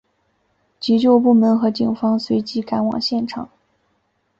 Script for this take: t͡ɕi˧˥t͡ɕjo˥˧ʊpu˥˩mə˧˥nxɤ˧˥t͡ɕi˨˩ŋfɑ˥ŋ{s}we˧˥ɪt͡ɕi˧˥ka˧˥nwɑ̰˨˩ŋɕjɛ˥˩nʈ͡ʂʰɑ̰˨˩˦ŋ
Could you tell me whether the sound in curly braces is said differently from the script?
no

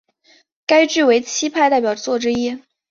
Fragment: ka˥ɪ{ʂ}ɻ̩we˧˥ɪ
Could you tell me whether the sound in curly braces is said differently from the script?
yes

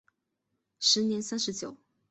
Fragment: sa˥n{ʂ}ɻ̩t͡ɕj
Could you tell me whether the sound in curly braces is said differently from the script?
no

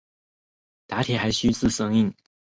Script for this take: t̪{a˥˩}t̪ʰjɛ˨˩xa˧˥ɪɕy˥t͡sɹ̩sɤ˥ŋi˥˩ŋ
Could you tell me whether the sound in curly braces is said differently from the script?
yes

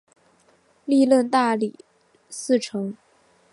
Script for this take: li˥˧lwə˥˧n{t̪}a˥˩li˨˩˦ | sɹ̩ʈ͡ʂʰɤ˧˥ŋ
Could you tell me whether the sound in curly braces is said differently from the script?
no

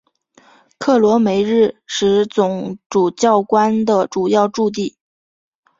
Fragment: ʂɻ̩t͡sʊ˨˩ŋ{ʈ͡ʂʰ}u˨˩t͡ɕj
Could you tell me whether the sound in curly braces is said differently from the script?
yes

